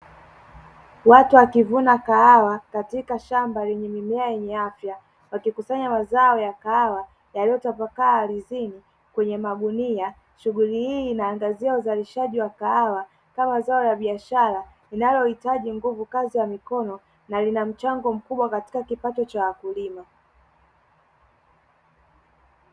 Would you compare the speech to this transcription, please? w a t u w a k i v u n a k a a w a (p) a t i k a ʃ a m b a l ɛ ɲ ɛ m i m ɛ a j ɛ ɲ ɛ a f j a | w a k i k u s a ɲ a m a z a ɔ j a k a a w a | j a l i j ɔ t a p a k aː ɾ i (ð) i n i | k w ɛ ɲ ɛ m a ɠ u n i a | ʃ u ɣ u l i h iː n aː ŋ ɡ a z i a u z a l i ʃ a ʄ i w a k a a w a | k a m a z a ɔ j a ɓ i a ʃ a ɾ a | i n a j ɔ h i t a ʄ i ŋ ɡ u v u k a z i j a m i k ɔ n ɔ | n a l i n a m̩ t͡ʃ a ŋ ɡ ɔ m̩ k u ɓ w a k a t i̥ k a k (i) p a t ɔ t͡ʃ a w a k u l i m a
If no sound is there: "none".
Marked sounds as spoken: k, z, i

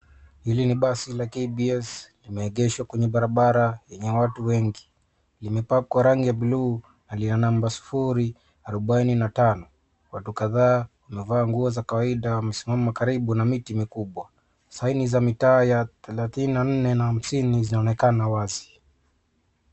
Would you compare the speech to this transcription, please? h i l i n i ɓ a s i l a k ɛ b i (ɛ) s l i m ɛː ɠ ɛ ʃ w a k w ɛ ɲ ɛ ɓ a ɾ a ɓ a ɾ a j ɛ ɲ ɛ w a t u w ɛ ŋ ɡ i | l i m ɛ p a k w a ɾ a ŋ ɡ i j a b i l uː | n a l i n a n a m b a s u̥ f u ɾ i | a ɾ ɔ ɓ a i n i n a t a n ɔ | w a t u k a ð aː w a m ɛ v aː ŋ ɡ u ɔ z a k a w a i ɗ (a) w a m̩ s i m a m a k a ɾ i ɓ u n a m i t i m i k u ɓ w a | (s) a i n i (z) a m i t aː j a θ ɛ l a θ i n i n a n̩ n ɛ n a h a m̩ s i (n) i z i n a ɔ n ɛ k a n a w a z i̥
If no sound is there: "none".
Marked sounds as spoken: ɛ, a, s, z, n

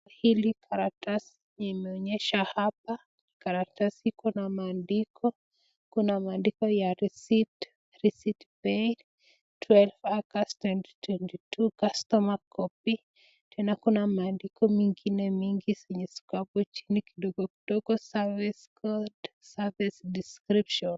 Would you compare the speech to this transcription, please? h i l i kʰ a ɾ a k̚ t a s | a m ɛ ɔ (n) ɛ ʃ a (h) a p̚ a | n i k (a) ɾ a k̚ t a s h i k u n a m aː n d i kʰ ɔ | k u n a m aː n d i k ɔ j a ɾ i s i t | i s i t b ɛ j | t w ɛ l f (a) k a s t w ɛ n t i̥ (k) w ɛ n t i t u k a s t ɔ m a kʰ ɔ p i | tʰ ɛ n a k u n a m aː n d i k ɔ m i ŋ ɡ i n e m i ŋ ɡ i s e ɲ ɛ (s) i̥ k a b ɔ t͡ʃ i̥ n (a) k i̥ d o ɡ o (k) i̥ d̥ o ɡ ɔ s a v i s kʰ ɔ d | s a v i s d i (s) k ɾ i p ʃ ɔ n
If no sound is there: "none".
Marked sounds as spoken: ɲ, h, a, a, t, s, i, k, s

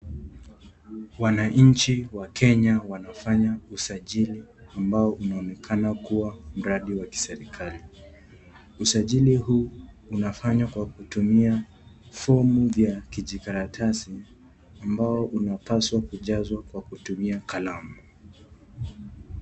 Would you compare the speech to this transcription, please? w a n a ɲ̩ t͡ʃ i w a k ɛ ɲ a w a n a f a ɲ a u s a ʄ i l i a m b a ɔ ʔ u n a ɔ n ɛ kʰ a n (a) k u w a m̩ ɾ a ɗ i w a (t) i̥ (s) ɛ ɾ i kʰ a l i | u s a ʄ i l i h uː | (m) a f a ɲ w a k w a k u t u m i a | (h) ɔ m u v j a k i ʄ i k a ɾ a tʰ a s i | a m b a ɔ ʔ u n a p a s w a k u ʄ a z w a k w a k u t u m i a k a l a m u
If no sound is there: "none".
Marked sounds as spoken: a, k, s, n, f

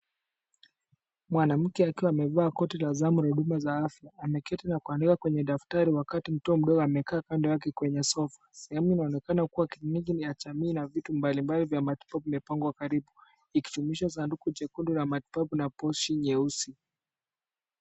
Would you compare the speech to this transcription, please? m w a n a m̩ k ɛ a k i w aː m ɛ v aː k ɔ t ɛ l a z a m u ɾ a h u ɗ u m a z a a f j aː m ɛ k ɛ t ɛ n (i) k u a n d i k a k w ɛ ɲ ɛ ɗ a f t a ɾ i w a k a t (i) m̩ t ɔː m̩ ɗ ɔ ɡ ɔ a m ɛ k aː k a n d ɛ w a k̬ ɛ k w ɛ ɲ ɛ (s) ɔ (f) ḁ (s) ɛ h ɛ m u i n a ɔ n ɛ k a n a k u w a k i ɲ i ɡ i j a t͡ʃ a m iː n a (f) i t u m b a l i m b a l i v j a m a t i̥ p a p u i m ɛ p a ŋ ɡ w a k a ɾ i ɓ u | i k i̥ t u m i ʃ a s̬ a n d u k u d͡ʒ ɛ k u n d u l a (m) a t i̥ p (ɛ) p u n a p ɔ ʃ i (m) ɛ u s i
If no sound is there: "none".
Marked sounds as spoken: a, i, s, f, s, v, m, a, ɲ

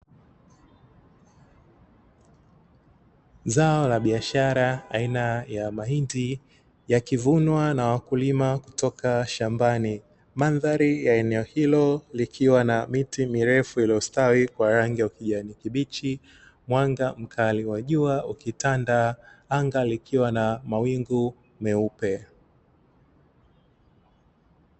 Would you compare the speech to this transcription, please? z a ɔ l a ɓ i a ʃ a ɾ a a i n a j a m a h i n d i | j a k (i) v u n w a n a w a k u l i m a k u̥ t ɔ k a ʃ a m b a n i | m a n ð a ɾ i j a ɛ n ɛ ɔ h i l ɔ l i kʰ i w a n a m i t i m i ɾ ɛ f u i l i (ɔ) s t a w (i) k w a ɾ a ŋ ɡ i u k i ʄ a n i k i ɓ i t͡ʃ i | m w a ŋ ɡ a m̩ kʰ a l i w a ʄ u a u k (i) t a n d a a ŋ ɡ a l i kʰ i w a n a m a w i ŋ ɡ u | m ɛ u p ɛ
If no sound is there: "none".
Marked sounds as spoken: i, ɔ, i, i

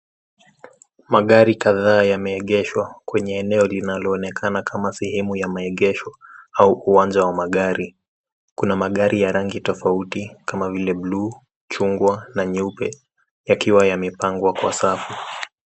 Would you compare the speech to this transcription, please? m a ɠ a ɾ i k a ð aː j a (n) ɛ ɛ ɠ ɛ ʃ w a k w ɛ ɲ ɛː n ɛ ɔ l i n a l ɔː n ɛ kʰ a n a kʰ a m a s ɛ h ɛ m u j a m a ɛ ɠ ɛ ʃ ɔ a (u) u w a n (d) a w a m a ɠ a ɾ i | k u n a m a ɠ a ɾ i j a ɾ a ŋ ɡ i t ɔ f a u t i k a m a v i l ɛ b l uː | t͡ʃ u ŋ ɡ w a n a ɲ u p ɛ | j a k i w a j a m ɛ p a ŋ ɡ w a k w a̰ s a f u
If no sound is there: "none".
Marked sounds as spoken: m, u, d͡ʒ

